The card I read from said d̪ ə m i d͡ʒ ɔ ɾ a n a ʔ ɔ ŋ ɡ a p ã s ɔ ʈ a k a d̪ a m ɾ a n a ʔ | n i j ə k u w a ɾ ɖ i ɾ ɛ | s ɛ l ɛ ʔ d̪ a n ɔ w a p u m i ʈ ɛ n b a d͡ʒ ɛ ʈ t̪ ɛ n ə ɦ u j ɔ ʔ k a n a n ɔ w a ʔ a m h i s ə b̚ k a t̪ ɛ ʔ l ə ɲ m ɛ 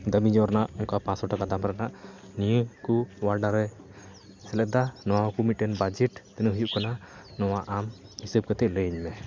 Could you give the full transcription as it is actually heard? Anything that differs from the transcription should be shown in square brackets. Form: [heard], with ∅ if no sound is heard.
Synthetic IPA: d̪ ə m i d͡ʒ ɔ ɾ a n a ʔ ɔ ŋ [k] a p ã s ɔ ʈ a k a d̪ a m ɾ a n a ʔ | n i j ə k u w a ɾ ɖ [a] ɾ ɛ | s ɛ l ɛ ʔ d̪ a n ɔ w a [k] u m i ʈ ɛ n b a d͡ʒ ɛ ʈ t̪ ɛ n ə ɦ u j [u] ʔ k a n a n ɔ w a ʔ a m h i s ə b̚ k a t̪ ɛ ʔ l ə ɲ m ɛ